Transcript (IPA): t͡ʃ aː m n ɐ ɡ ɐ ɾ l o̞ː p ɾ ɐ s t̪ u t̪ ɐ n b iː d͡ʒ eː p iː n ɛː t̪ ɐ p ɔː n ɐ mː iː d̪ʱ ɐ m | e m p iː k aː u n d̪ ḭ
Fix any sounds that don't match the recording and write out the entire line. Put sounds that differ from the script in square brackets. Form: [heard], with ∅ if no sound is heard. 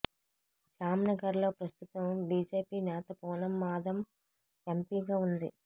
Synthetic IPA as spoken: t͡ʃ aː m n ɐ ɡ ɐ ɾ l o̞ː p ɾ ɐ s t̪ u t̪ ɐ [m] b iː d͡ʒ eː p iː n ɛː t̪ ɐ p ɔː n ɐ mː [aː] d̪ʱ ɐ m | e m p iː [ɡ] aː u n d̪ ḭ